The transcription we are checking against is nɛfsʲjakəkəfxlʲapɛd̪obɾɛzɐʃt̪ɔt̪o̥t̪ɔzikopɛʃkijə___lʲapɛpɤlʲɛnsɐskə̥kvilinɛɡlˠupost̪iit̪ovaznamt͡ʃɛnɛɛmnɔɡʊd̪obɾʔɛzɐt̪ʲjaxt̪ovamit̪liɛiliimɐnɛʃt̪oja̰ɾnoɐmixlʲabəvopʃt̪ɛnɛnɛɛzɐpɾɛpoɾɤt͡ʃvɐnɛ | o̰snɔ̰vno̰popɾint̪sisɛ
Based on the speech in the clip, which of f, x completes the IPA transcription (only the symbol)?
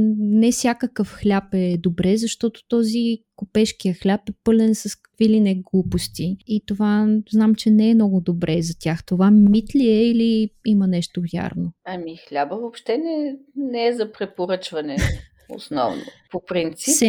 x